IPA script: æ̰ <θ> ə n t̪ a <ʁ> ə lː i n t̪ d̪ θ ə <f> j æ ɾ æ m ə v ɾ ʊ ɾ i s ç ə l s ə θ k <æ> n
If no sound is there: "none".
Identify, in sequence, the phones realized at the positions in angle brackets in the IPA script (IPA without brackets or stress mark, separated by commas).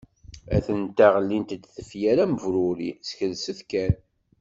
θ, ʁ, f, æ